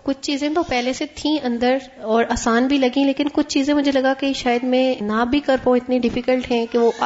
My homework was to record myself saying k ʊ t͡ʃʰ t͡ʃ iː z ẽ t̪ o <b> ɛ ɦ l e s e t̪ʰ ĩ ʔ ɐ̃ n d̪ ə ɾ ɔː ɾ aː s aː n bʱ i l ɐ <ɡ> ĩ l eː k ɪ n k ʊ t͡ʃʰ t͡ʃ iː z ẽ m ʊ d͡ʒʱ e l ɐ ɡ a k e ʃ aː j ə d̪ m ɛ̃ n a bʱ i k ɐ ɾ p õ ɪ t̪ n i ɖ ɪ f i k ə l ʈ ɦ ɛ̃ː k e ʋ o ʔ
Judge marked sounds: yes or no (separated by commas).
no, yes